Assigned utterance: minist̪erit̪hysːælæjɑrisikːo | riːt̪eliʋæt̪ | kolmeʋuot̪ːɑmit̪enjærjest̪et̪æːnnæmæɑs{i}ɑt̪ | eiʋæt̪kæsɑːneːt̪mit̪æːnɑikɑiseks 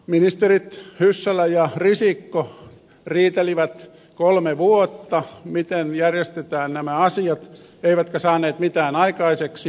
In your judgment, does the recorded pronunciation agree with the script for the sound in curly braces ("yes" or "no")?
yes